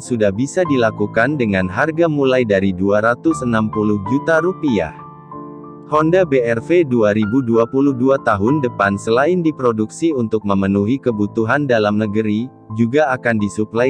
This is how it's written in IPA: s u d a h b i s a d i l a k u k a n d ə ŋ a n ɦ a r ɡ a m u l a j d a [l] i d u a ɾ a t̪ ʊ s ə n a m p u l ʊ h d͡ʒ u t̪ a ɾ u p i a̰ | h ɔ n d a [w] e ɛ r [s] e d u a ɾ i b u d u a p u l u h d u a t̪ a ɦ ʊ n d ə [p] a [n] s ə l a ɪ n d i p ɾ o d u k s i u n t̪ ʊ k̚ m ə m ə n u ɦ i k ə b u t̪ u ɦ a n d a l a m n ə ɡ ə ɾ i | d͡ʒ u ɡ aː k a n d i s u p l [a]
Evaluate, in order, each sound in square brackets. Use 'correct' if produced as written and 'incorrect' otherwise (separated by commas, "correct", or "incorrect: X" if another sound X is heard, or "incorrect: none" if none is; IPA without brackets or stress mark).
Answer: incorrect: ɾ, incorrect: b, incorrect: f, correct, correct, correct